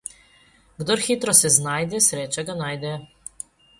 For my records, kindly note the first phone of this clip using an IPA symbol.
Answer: ɡ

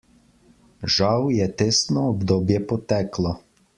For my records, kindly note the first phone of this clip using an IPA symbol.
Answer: ʒ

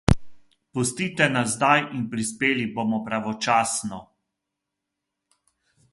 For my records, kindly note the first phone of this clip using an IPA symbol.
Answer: p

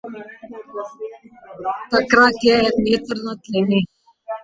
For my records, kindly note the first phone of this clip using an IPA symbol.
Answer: t̪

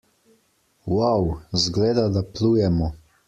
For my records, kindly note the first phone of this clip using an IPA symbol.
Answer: w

